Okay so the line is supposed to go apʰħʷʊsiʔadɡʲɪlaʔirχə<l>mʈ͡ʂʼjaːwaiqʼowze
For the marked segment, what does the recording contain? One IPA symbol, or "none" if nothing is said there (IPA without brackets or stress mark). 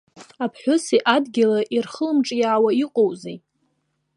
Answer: l